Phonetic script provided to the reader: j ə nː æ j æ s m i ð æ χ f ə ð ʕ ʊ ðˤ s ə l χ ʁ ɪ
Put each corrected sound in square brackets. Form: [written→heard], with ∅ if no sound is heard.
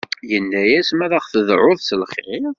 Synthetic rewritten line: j ə nː æ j æ s m [i→æ] ð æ χ [f→θ] ə ð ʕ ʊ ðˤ s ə l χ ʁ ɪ